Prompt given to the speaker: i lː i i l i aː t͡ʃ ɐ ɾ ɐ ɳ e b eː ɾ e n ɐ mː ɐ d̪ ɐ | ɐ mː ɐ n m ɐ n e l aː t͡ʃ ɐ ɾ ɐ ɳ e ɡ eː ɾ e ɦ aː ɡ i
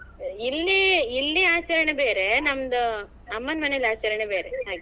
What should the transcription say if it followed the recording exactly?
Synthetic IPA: i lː i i lː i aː t͡ʃ ɐ ɾ ɐ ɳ e b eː ɾ e n ɐ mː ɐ d̪ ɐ | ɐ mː ɐ n m ɐ n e l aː t͡ʃ ɐ ɾ ɐ ɳ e b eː ɾ e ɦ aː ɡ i

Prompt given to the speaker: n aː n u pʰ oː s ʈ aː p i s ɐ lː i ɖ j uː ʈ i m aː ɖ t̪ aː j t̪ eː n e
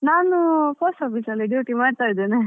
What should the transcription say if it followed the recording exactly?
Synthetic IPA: n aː n u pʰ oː s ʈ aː p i s ɐ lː i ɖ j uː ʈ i m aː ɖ t̪ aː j d̪ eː n e

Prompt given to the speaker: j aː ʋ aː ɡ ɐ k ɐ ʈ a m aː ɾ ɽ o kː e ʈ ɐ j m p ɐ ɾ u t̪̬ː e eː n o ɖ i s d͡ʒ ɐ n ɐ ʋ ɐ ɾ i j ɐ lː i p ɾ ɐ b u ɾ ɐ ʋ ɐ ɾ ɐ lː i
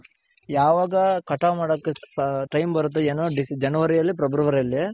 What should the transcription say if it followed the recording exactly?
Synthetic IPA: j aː ʋ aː ɡ ɐ k ɐ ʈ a m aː ɽ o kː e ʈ ɐ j m b ɐ ɾ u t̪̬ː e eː n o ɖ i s d͡ʒ ɐ n ɐ ʋ ɐ ɾ i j ɐ lː i p ɾ ɐ b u ɾ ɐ ʋ ɐ ɾ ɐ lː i

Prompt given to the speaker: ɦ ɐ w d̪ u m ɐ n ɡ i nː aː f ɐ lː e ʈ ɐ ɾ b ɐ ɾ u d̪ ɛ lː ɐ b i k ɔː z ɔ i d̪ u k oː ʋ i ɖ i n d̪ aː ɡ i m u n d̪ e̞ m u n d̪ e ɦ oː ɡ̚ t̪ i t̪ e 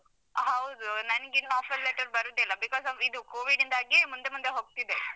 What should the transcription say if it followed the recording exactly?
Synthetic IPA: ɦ ɐ w d̪ u n ɐ n ɡ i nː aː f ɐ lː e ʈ ɐ ɾ b ɐ ɾ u d̪ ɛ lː ɐ b i k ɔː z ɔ i d̪ u k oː ʋ i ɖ i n d̪ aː ɡ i m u n d̪ e̞ m u n d̪ e ɦ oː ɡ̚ t̪ i d̪ e

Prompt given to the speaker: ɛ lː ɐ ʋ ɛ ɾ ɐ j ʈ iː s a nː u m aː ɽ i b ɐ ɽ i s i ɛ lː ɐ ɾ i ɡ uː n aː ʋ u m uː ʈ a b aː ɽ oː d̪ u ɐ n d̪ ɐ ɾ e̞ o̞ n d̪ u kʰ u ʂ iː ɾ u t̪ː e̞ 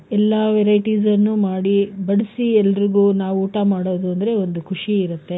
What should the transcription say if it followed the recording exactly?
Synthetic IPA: ɛ lː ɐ ʋ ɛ ɾ ɐ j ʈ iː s ɐ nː u m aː ɽ i b ɐ ɽ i s i ɛ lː ɐ ɾ i ɡ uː n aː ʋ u uː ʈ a m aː ɽ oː d̪ u ɐ n d̪ ɐ ɾ e̞ o̞ n d̪ u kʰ u ʂ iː ɾ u t̪ː e̞

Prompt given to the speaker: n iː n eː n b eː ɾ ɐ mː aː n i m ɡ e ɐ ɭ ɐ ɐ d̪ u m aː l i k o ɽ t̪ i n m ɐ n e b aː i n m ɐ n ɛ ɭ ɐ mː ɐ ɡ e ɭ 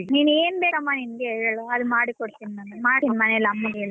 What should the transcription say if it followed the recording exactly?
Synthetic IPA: n iː n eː n b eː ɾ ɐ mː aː n i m ɡ e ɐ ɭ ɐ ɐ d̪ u m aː ɽ i k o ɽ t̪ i n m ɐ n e m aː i n m ɐ n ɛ l ɐ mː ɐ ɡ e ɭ

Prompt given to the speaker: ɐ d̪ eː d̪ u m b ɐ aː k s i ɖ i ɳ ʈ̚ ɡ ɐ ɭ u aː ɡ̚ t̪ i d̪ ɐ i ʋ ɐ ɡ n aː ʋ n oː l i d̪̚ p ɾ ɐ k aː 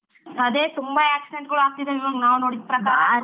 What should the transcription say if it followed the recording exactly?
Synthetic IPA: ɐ d̪ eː t̪ u m b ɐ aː k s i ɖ e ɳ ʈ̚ ɡ ɐ ɭ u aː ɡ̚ t̪ i d̪ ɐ i ʋ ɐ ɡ n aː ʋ n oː ɽ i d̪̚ p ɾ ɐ k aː

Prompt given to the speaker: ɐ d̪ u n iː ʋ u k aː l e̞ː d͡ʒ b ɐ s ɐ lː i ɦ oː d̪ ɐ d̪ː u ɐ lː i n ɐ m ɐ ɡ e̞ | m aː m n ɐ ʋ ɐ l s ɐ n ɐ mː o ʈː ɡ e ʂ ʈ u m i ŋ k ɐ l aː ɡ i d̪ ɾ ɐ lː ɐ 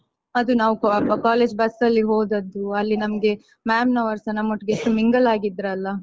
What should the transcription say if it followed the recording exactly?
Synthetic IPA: ɐ d̪ u n aː ʋ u k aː l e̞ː d͡ʒ b ɐ s ɐ lː i ɦ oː d̪ ɐ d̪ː u ɐ lː i n ɐ m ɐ ɡ e̞ | m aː m n ɐ ʋ ɐ ɾ s ɐ n ɐ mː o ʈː ɡ e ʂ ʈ u m i ŋ ɡ ɐ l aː ɡ i d̪ ɾ ɐ lː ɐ

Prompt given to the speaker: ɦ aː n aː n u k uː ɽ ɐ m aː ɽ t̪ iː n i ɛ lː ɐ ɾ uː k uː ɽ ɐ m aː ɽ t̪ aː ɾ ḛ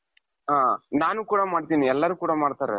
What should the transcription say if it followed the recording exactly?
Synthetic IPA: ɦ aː n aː n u k uː ɽ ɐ m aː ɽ t̪ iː n i ɛ lː ɐ ɾ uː k uː ɽ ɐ m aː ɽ t̪ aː ɾ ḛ

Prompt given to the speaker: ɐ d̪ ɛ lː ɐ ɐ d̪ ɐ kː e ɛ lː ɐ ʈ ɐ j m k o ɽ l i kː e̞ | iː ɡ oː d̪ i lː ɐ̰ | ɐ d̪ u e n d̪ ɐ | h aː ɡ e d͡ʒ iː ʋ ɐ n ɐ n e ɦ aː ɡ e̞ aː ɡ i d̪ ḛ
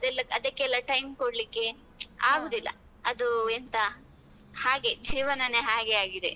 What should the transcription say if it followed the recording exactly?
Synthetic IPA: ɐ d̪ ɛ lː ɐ ɐ d̪ ɐ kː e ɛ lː ɐ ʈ ɐ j m k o ɽ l i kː e̞ | aː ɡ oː d̪ i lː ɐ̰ | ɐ d̪ u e n t̪ ɐ | h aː ɡ e d͡ʒ iː ʋ ɐ n ɐ n e ɦ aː ɡ e̞ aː ɡ i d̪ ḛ

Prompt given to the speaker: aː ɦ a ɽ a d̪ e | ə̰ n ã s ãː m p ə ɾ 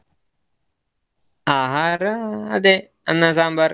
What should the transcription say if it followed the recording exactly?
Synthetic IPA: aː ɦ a ɾ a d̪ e | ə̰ n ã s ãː m b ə ɾ

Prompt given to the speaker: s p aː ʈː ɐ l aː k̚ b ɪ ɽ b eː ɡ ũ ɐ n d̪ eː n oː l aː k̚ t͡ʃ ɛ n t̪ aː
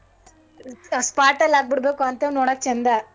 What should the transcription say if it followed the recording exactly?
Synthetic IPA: s p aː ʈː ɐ l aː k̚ b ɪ ɽ b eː k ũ ɐ n t̪ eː n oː ɽ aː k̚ t͡ʃ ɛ n d̪ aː

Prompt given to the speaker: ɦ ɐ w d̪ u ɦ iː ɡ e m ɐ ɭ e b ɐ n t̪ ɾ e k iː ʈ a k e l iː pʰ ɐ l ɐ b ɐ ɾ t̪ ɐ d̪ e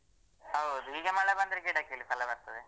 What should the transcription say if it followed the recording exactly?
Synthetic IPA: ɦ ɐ w d̪ u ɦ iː ɡ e m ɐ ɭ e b ɐ n d̪ ɾ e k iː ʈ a k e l i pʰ ɐ l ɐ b ɐ ɾ t̪ ɐ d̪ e

